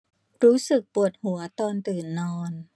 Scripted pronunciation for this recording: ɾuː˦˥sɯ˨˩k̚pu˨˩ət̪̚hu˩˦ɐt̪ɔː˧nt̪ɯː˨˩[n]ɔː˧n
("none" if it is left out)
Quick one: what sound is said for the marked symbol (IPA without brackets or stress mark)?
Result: nː